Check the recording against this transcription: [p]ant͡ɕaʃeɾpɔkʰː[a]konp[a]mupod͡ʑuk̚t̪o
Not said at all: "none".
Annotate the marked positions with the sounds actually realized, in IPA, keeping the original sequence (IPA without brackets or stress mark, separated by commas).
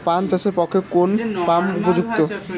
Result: p, e, a